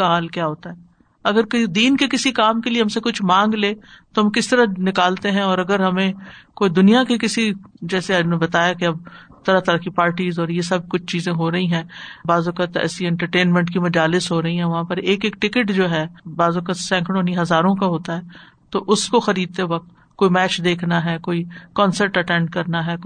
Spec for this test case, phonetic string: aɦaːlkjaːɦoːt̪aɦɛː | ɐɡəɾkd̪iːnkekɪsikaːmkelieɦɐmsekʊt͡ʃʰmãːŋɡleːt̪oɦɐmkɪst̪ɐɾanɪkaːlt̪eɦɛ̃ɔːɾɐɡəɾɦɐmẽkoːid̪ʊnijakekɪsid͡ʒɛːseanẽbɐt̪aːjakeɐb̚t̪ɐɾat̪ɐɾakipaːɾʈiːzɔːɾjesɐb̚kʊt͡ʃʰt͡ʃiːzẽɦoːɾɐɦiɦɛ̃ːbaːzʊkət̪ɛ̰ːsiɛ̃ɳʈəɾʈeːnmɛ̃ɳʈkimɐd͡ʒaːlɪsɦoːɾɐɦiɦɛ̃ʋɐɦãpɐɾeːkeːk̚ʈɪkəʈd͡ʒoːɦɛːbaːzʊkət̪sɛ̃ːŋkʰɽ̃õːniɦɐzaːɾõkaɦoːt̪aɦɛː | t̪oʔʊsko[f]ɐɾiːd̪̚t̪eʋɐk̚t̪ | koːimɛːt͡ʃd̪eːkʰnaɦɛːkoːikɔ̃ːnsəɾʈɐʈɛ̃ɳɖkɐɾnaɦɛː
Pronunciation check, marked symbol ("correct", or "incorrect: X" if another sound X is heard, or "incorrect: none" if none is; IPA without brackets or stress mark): incorrect: x